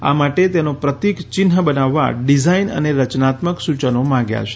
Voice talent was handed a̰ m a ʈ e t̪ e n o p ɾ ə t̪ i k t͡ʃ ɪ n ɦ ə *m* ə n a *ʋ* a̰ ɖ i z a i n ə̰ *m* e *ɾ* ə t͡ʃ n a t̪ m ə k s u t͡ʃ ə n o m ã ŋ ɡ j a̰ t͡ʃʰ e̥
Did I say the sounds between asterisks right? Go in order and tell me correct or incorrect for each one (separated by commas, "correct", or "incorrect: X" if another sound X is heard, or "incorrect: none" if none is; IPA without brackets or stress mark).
incorrect: b, incorrect: ʋː, incorrect: n, correct